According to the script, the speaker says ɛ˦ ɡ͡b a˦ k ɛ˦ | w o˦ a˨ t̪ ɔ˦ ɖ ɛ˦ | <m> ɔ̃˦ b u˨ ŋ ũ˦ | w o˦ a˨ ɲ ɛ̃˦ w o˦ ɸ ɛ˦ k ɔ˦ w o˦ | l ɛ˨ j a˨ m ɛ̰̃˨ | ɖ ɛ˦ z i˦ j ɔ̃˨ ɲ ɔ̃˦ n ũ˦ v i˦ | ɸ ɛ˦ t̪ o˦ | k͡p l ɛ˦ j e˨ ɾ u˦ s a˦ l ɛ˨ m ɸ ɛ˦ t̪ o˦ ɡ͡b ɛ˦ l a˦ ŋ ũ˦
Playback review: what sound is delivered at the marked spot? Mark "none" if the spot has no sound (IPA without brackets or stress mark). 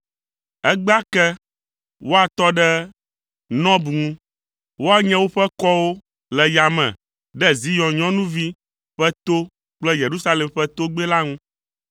n